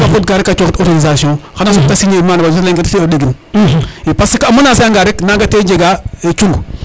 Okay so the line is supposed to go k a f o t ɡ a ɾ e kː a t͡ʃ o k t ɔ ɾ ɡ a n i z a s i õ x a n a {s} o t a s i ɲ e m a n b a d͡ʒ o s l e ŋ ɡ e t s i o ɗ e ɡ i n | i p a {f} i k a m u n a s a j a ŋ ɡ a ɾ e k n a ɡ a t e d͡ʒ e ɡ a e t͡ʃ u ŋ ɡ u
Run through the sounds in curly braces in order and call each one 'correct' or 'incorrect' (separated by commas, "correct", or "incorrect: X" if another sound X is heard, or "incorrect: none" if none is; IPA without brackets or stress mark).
correct, incorrect: s